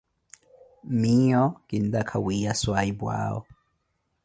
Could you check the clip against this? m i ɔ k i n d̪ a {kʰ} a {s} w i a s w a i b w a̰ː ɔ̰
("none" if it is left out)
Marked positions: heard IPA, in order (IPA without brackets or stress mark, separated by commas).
kʰ, none